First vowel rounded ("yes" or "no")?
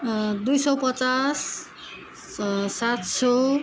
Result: yes